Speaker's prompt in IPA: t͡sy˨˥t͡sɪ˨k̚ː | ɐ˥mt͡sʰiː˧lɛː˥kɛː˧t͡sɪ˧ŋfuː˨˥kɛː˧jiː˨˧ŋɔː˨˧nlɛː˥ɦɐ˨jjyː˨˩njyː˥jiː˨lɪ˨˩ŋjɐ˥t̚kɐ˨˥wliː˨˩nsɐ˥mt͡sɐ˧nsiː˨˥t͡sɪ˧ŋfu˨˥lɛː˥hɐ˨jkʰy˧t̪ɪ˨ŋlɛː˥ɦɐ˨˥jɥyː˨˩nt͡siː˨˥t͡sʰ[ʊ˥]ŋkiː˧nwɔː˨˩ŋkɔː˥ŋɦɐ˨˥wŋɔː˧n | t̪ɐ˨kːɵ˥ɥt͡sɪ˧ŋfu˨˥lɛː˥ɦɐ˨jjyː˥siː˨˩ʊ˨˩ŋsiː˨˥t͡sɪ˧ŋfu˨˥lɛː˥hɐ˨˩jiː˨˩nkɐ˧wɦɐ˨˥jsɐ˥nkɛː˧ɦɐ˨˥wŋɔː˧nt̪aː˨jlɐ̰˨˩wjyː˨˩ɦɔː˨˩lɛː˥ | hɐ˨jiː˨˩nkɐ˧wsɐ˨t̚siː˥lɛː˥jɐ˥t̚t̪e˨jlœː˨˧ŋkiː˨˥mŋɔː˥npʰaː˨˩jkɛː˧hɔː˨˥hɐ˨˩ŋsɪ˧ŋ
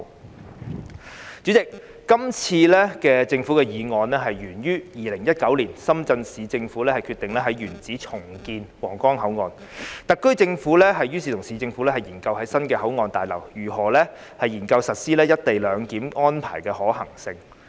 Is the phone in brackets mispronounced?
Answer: yes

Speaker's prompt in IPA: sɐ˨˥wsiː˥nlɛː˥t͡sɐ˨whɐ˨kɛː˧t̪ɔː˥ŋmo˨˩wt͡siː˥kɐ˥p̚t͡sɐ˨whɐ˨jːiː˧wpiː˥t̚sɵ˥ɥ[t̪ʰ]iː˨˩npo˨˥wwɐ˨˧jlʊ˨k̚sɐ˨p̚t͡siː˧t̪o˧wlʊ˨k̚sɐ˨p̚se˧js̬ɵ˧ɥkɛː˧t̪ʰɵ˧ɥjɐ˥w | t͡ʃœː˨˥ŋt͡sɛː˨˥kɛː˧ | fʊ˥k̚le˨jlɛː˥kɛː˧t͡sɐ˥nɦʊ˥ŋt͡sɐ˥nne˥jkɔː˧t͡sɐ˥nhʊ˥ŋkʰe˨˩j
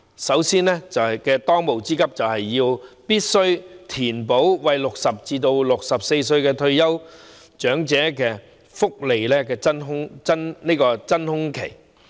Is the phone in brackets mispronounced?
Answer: no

